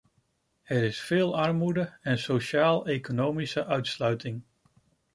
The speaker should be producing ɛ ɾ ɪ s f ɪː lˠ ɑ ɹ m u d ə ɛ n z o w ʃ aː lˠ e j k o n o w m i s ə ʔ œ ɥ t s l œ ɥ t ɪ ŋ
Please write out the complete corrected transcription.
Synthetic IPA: ɛ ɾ ɪ s f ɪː lˠ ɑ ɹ m u d ə ɛ n s o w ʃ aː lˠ e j k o n o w m i s ə ʔ œ ɥ t s l œ ɥ t ɪ ŋ